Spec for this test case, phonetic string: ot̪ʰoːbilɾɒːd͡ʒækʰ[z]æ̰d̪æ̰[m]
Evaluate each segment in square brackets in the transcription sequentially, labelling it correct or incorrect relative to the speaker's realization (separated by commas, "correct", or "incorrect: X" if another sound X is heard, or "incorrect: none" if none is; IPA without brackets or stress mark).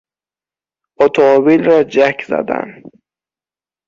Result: correct, incorrect: n